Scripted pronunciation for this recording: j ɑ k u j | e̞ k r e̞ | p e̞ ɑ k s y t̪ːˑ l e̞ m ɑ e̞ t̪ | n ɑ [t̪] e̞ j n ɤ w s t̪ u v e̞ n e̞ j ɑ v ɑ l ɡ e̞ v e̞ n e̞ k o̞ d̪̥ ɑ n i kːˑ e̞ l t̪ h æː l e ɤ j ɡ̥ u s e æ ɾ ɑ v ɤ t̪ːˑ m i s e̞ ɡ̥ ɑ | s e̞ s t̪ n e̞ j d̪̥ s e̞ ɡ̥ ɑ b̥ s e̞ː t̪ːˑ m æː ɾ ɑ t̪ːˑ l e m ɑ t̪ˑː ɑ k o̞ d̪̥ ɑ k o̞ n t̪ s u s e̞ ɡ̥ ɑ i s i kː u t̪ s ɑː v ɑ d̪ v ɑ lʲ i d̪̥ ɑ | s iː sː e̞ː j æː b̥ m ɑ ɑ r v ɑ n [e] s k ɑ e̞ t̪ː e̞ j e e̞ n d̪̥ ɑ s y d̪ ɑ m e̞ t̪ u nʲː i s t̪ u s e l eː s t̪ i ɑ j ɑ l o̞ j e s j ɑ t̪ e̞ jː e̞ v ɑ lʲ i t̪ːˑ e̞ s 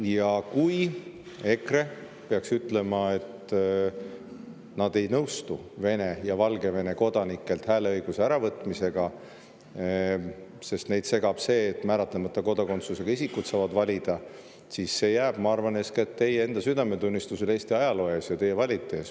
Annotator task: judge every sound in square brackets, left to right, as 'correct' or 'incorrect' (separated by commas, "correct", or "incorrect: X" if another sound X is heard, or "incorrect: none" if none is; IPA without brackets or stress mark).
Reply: incorrect: d̪, correct